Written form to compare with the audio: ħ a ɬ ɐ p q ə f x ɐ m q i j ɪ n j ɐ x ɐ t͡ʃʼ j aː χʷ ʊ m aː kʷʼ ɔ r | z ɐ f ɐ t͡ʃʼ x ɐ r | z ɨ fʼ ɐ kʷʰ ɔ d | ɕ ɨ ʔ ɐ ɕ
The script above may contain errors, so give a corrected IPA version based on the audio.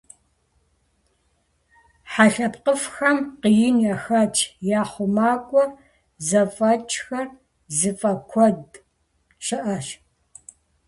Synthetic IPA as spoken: ħ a ɬ ɐ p q ə f x ɐ m q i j ɪ n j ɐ x ɐ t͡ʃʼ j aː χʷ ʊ m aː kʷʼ ɔ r | z ɐ f ɐ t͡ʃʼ x ɐ r | z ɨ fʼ ɐ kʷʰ ɔ d | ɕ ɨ ʔ ɐ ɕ